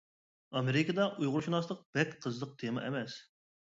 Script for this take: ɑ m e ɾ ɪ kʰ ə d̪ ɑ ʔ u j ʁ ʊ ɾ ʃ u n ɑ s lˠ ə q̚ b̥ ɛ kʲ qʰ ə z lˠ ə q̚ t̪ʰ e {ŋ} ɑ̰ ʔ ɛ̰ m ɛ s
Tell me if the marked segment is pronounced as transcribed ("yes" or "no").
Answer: no